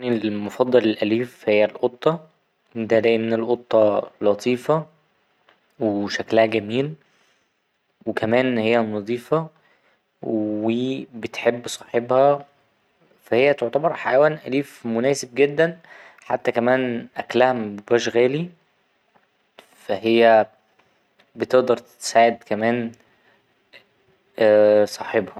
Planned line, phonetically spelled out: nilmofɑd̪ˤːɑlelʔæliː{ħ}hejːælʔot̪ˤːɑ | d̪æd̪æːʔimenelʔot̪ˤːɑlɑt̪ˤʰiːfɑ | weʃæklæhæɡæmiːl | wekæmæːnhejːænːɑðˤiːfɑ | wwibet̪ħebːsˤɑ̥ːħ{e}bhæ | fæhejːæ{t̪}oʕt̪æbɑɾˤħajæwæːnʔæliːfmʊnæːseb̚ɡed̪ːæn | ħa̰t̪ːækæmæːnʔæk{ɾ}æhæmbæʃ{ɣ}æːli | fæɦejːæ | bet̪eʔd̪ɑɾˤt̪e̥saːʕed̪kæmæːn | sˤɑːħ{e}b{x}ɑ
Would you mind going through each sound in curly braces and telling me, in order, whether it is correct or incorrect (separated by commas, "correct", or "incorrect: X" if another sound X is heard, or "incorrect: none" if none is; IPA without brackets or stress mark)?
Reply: incorrect: f, correct, correct, incorrect: l, correct, correct, incorrect: h